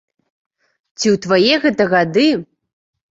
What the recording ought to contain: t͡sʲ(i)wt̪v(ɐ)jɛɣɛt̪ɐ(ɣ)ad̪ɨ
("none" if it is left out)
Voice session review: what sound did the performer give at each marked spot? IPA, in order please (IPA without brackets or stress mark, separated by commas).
i, a, ɣ